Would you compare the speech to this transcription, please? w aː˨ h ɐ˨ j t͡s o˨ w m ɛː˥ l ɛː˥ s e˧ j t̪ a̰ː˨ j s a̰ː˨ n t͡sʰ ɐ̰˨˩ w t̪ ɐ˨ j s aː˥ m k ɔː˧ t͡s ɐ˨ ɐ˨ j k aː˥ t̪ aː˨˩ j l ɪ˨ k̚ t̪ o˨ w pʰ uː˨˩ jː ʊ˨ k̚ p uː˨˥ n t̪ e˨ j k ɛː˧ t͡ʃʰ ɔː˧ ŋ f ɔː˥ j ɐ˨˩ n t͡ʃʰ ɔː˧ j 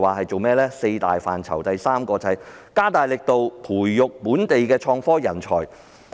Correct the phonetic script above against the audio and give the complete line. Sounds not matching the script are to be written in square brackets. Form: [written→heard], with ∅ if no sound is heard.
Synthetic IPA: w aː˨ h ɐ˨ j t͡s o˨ w m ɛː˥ l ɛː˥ s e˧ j t̪ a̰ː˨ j [s→f] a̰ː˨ n t͡sʰ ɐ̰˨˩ w t̪ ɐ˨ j s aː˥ m k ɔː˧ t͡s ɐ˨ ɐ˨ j k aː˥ t̪ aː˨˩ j l ɪ˨ k̚ t̪ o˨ w pʰ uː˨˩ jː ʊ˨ k̚ p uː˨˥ n t̪ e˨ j k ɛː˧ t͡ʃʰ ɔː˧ ŋ f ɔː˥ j ɐ˨˩ n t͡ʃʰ [ɔː˧→ɔː˨˩] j